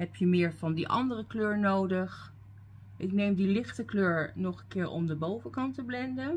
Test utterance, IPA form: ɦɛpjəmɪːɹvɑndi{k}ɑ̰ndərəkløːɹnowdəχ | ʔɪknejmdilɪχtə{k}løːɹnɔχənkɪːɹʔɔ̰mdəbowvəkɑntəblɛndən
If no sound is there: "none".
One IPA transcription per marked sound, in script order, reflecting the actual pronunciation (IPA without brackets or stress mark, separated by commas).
ʔ, k